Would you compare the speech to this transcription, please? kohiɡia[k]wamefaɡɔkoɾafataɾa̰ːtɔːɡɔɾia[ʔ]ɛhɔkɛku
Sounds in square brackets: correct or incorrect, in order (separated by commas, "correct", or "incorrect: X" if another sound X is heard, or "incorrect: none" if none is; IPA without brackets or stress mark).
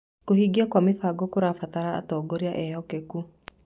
correct, correct